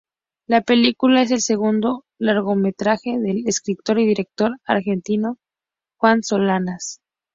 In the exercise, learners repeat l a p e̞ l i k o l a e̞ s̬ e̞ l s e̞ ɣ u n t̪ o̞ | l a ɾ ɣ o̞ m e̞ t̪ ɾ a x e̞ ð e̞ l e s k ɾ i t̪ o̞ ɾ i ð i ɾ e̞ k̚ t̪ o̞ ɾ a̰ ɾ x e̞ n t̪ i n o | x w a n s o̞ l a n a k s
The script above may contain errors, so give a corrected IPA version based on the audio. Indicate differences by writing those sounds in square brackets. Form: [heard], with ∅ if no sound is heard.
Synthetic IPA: l a p e̞ l i k [u] l a e̞ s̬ e̞ l s e̞ ɣ u n [d̪] o̞ | l a ɾ ɣ o̞ m e̞ t̪ ɾ a x e̞ ð e̞ l e s k ɾ i t̪ o̞ ɾ i ð i ɾ e̞ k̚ t̪ o̞ ɾ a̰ ɾ x e̞ n t̪ i n o | x w a n s o̞ l a n a [∅] s